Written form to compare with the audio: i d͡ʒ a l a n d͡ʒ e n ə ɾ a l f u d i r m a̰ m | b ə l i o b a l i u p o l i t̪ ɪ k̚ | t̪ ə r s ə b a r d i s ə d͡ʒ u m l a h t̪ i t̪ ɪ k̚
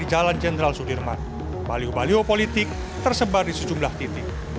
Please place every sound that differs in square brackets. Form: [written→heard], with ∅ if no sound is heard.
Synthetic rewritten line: i d͡ʒ a l a n d͡ʒ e n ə ɾ a l [f→s] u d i r m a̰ [m→n] | b [ə→a] l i o b a l i [u→o] p o l i t̪ ɪ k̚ | t̪ ə r s ə b a r d i s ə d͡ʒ u m l a h t̪ i t̪ ɪ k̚